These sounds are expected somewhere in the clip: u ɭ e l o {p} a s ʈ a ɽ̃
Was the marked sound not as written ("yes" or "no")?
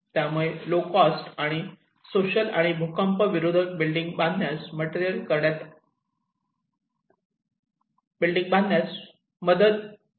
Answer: yes